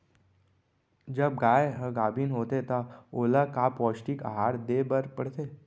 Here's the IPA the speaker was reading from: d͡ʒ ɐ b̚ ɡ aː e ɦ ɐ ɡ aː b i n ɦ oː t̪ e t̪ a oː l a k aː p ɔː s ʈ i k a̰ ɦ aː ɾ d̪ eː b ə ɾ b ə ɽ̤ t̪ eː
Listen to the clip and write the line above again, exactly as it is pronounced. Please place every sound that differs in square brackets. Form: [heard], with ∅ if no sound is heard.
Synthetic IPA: d͡ʒ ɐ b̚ ɡ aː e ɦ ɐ ɡ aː b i n ɦ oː t̪ e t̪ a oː l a k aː p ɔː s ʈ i k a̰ ɦ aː ɾ d̪ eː b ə ɾ [p] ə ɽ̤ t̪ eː